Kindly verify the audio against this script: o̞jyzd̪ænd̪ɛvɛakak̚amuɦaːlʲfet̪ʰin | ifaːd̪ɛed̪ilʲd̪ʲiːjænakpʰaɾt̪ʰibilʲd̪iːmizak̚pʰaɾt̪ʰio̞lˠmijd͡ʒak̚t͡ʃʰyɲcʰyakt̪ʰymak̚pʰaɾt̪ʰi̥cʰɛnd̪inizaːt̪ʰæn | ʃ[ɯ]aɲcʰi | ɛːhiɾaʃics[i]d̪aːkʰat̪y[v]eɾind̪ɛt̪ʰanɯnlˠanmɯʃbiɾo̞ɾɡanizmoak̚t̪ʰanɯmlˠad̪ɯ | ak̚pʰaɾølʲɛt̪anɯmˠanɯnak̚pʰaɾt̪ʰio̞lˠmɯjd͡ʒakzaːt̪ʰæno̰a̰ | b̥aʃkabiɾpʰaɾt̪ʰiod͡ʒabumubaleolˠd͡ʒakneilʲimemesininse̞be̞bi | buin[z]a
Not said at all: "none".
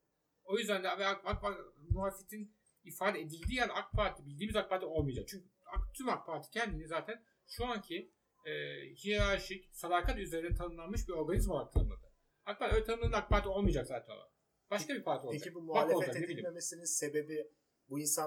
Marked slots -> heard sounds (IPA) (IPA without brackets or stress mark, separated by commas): u, a, z, s